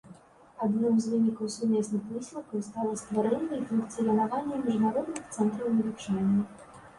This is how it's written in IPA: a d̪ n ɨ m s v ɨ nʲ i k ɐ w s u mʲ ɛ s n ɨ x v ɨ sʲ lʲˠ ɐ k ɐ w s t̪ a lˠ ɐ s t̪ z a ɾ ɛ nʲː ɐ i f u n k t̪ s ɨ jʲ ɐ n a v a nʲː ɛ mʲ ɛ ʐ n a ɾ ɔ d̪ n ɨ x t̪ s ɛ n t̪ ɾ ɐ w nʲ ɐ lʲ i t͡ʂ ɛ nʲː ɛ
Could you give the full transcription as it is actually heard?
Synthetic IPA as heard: a d̪ n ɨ m z v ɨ nʲ i k ɐ w s u mʲ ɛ s n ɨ x v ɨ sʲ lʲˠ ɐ k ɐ w s t̪ a lˠ ɐ s t̪ v a ɾ ɛ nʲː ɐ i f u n k t̪ s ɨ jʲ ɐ n a v a nʲː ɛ mʲ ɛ ʐ n a ɾ ɔ d̪ n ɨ x t̪ s ɛ n t̪ ɾ ɐ w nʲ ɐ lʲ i t͡ʂ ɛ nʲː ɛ